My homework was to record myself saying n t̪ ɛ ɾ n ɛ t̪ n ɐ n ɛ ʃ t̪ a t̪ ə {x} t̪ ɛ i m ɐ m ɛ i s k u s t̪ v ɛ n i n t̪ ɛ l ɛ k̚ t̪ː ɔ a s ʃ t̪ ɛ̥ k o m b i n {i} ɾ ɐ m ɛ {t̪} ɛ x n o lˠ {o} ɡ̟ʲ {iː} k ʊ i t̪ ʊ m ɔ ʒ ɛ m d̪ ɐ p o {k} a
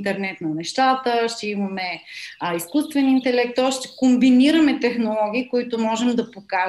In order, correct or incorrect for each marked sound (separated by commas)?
incorrect, correct, correct, incorrect, correct, correct